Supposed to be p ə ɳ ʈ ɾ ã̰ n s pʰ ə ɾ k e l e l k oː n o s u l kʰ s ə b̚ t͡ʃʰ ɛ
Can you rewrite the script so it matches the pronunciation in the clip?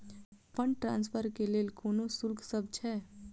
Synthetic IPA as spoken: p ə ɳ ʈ ɾ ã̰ n s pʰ ə ɾ k e l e l k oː n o s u l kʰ s ə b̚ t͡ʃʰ ɛ